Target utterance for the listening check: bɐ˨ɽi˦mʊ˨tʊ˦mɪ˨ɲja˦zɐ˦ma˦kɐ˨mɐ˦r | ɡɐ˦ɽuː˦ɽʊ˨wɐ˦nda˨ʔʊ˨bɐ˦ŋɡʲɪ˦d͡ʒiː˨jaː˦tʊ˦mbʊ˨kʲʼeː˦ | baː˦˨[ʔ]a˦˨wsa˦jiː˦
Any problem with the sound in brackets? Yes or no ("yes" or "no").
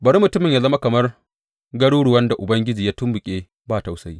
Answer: yes